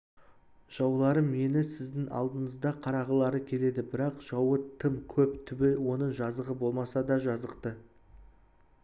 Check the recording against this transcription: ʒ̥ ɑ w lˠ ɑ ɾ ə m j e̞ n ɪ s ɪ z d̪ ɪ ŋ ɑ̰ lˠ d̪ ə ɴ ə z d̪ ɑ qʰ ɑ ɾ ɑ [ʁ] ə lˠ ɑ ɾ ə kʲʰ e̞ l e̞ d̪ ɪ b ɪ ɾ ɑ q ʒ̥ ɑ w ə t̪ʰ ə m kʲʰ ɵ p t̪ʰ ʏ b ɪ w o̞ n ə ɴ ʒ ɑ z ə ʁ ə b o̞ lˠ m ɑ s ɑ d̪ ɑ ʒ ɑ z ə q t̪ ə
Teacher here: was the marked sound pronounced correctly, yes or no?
yes